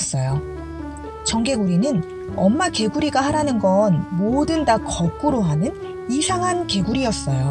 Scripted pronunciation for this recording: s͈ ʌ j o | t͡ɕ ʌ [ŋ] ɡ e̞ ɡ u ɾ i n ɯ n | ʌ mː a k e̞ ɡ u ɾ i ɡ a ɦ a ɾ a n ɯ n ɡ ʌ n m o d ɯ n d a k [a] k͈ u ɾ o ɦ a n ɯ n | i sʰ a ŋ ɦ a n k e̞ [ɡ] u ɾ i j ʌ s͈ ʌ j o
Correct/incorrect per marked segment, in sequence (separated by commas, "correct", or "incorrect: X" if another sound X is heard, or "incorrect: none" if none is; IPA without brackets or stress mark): correct, incorrect: ʌ, correct